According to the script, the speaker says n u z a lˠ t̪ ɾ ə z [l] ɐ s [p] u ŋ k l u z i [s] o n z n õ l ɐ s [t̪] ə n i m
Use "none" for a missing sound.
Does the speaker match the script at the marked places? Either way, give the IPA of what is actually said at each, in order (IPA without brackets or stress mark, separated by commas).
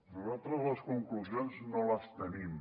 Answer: l, k, none, t̪